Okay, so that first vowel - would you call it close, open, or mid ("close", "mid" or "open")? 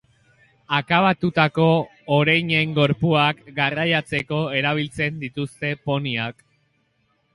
open